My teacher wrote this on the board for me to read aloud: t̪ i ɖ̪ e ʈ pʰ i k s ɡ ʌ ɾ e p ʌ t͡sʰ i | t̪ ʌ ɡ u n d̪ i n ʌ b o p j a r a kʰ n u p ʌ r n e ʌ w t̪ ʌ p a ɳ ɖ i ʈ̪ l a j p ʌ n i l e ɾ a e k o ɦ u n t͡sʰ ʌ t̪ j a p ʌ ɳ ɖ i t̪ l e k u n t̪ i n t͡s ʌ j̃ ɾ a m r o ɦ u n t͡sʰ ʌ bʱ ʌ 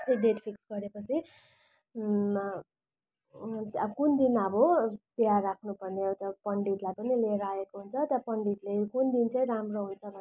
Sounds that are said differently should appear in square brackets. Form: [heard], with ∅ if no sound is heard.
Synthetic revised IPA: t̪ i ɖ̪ e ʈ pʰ i k s ɡ ʌ ɾ e p ʌ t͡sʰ i | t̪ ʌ [k] u n d̪ i n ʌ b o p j a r a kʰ n u p ʌ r n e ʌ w t̪ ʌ p [ʌ] ɳ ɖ i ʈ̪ l a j p ʌ n i l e ɾ a e k o ɦ u n t͡sʰ ʌ t̪ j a p ʌ ɳ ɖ i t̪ l e k u n [d̪] i n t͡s ʌ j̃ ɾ a m r o ɦ u n t͡sʰ ʌ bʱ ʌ